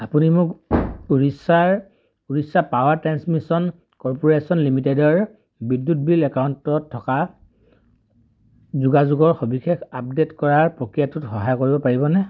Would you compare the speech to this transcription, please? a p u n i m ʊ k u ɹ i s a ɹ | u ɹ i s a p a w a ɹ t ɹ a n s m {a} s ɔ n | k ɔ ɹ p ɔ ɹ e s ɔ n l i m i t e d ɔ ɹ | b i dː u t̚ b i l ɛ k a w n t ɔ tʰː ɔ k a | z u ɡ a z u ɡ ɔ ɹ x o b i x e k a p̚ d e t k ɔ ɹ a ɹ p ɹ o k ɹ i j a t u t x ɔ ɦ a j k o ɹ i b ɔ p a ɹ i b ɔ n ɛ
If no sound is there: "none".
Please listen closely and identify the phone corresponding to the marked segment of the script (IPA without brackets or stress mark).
i